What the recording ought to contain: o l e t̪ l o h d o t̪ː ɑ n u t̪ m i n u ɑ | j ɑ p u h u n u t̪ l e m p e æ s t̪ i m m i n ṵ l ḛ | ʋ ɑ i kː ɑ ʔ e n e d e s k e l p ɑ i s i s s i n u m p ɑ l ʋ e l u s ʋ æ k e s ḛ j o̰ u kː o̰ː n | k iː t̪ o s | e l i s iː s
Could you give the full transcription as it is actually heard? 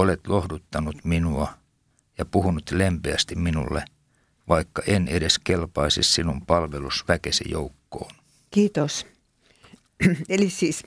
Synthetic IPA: o l e t̪ l o h d u t̪ː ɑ n u t̪ m i n u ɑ | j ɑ p u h u n u t̪ l e m p e æ s t̪ i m m i n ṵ lː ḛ | ʋ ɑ i kː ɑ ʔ e n e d e s k e l p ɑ i s i s s i n u m p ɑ l ʋ e l u s ʋ æ k e s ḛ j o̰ u kː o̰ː n | k iː t̪ o s | e l i s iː s